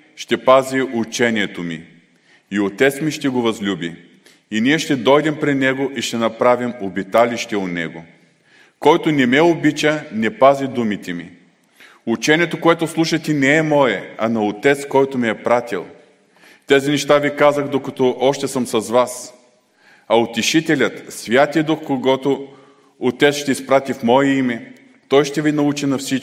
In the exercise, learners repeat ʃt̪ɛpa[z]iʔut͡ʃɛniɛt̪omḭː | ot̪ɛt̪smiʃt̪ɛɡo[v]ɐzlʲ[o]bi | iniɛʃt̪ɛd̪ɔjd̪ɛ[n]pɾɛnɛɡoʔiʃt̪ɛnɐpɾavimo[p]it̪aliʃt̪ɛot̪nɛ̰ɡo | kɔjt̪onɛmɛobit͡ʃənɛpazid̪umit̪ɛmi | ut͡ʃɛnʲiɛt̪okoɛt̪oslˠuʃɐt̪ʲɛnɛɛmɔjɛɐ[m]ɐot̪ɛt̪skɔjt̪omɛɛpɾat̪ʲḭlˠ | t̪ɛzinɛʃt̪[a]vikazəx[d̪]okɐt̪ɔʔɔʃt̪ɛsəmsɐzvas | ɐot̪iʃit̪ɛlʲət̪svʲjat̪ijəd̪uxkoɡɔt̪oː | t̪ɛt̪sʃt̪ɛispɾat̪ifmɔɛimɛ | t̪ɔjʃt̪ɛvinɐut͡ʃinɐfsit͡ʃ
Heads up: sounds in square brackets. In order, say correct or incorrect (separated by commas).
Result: correct, correct, incorrect, incorrect, incorrect, incorrect, correct, correct